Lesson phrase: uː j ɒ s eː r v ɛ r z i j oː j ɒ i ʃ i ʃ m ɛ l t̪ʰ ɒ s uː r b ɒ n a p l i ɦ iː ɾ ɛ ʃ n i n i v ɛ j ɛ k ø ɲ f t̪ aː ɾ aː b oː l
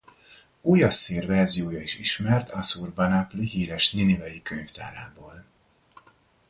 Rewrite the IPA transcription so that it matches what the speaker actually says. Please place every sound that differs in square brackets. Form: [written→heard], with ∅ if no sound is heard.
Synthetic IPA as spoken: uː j ɒ s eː r v ɛ r z i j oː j ɒ i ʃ i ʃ m ɛ [l→r] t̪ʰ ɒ s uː r b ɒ n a p l i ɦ iː ɾ ɛ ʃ n i n i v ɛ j [ɛ→i] k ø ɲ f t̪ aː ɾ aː b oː l